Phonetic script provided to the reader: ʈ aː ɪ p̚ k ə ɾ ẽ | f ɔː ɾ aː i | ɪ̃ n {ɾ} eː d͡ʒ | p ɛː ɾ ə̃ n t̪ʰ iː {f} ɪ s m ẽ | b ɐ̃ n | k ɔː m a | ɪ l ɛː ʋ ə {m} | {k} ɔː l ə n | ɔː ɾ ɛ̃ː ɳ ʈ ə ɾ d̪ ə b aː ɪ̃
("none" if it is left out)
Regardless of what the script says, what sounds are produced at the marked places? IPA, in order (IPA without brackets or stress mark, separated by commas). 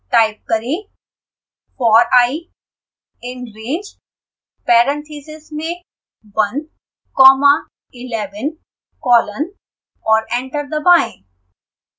ɾ, s, n, k